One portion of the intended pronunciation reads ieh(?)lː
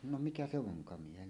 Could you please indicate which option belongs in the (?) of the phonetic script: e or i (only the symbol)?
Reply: e